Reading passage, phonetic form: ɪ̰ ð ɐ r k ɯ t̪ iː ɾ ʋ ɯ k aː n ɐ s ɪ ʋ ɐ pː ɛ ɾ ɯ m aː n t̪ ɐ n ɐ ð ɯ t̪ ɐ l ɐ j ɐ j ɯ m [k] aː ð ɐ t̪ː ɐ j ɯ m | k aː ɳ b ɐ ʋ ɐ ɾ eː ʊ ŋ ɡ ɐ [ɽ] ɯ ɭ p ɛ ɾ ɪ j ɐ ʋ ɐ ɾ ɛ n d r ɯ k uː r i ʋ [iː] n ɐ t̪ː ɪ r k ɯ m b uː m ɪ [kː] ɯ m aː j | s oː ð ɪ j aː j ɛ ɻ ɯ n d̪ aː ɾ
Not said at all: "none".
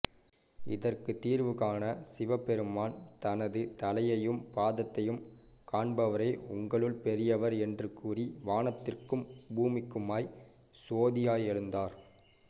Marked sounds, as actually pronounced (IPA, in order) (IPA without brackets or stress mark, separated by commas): p, ɭ, aː, kː